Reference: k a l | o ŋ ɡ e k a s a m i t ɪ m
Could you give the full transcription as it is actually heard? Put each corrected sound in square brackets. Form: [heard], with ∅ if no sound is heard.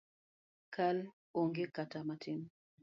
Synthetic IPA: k a l | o ŋ ɡ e k a [t] a m [a] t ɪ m